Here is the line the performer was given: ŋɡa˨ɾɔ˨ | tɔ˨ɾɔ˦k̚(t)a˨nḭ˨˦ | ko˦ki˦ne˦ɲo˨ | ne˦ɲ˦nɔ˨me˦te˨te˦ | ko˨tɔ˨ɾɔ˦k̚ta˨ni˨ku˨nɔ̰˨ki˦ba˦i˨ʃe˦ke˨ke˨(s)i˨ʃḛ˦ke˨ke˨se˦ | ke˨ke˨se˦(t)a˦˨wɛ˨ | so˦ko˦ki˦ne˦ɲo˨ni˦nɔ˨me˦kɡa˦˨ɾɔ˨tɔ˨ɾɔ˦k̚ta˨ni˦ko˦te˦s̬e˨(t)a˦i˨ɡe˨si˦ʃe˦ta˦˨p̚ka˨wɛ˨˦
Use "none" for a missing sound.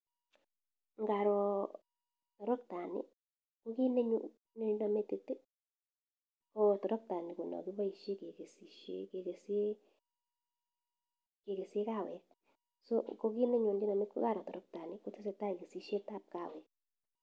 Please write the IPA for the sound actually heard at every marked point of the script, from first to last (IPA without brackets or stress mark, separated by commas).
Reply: t, s, k, t